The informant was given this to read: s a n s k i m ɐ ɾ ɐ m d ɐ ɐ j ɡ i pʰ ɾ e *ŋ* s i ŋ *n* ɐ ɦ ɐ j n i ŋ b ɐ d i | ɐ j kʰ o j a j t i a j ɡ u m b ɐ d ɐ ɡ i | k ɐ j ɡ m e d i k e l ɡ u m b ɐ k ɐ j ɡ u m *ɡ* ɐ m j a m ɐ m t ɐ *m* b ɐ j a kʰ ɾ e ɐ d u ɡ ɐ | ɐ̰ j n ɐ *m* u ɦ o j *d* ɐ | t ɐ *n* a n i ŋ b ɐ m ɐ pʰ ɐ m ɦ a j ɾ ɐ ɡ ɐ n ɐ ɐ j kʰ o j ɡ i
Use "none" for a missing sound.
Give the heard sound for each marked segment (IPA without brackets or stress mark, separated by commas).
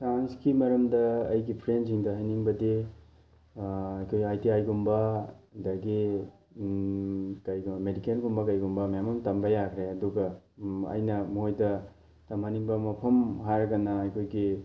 n, d, b, m, m, d, m